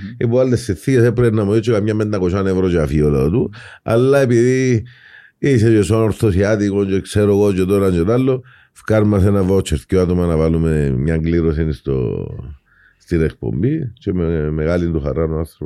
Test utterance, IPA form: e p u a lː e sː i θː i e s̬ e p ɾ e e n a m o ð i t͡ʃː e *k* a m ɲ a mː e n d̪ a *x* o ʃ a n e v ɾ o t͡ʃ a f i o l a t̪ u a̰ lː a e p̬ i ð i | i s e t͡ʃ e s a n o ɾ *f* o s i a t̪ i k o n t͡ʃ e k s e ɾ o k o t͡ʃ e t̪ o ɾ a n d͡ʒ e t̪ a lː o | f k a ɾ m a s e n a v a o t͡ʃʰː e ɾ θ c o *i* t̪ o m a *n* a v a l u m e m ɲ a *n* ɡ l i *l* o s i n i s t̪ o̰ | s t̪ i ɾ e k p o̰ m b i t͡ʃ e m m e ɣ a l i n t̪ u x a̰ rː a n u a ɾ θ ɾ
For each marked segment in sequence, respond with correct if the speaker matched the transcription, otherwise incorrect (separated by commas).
correct, incorrect, incorrect, incorrect, correct, incorrect, incorrect